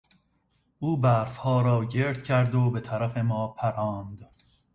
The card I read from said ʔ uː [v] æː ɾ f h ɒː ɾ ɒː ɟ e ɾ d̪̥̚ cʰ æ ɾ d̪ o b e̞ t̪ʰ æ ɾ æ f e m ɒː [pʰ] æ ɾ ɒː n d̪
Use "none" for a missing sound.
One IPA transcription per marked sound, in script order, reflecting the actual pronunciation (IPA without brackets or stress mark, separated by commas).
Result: b, pʰ